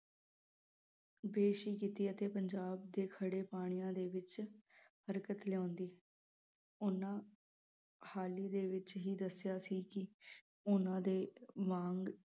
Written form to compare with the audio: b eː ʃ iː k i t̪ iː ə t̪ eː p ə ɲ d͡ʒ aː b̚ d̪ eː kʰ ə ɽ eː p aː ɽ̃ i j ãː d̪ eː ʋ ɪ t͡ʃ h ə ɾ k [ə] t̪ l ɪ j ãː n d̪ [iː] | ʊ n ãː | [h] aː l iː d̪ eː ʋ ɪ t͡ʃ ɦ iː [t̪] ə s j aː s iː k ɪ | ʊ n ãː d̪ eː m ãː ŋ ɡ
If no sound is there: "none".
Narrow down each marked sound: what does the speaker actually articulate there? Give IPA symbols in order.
ə, iː, h, d̪

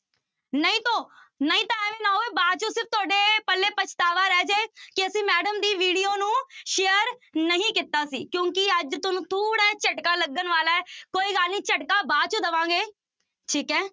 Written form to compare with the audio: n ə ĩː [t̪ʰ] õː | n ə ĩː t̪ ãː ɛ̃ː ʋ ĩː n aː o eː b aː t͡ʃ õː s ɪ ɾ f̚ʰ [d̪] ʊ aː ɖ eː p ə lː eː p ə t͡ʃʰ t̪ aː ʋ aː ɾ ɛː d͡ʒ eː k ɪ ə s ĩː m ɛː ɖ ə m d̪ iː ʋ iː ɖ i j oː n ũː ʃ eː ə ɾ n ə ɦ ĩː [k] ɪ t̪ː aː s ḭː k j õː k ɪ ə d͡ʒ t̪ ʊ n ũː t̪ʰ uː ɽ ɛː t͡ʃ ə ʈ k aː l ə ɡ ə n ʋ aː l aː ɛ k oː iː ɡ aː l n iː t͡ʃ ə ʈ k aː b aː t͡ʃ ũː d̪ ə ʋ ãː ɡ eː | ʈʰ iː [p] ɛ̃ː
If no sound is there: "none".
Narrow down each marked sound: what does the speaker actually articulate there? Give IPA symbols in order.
t̪, t̪, k, k

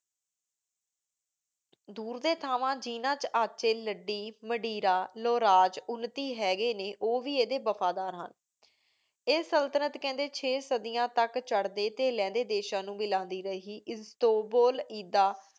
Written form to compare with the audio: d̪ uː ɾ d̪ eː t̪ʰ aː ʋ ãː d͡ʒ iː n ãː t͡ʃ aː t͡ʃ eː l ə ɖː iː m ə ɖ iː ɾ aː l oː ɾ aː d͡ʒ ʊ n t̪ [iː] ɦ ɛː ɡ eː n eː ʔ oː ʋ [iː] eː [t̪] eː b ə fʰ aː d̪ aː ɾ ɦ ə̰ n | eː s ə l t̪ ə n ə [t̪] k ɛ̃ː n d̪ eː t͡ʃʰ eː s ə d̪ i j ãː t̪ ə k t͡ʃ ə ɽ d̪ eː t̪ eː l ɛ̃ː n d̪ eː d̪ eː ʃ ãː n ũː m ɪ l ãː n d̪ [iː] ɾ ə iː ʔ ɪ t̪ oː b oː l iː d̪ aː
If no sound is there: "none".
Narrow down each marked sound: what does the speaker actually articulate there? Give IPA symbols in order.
iː, iː, d̪, t̪, iː

